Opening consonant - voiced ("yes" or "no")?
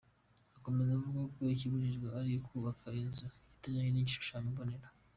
no